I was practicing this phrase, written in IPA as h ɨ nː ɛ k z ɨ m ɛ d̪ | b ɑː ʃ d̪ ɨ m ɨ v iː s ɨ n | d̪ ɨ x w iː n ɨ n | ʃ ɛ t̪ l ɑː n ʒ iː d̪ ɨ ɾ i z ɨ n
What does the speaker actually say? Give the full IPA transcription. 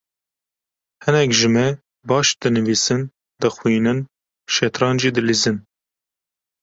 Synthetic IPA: h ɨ n ɛ k ʒ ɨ m ɛ | b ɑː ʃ d̪ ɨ n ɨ v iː s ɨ n | d̪ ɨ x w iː n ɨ n | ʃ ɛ t̪ ɾ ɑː n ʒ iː d̪ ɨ l i z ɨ n